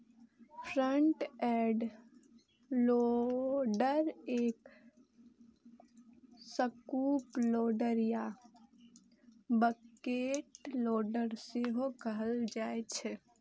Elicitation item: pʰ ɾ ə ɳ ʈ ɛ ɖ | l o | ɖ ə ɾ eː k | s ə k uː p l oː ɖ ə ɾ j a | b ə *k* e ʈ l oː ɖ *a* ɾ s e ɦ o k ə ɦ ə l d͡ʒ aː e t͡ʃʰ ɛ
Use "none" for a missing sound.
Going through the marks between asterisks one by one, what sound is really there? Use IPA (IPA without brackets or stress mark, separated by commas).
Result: k, ə